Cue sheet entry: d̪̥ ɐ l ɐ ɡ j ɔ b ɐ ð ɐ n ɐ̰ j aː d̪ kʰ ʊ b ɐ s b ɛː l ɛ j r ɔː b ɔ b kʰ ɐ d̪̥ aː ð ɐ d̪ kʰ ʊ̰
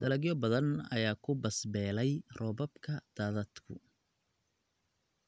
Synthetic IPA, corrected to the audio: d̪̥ ɐ l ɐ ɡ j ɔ b ɐ ð ɐ n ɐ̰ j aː kʰ ʊ b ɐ s b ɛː l ɛ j r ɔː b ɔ b kʰ ɐ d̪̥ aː ð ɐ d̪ kʰ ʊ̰